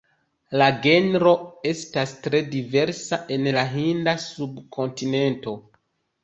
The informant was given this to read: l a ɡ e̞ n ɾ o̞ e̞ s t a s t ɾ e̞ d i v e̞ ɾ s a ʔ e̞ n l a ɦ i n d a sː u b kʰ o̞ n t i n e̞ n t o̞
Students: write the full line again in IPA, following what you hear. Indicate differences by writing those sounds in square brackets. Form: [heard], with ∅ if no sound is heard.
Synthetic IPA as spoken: l a ɡ e̞ n ɾ o̞ e̞ s t a s t ɾ e̞ d i v e̞ ɾ s a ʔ e̞ n l a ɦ i n d a [s] u b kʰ o̞ n t i n e̞ n t o̞